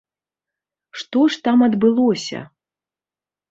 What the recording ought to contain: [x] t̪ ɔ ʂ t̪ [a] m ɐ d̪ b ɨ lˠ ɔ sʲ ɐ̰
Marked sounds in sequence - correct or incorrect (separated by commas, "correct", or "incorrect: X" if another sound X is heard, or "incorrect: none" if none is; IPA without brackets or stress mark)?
incorrect: ʂ, correct